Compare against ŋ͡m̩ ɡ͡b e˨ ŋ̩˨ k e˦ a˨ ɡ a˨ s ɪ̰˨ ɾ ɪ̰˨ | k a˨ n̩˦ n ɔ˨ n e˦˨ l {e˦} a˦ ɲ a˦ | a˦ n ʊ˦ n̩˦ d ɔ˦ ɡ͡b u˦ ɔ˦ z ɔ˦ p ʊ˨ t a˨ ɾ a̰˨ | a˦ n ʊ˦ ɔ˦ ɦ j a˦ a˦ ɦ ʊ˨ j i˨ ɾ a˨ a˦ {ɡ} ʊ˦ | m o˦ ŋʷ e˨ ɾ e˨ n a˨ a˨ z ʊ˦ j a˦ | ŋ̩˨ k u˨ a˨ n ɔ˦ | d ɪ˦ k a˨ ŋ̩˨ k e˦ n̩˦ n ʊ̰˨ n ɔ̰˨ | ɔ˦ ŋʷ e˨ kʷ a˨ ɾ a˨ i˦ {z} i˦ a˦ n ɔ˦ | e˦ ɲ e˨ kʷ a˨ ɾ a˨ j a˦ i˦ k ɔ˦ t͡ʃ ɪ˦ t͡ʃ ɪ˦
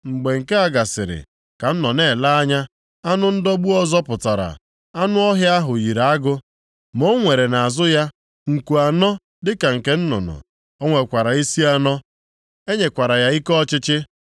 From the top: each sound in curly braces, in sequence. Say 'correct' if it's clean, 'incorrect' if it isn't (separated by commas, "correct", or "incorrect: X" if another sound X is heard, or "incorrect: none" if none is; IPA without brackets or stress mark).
incorrect: a˦, correct, incorrect: s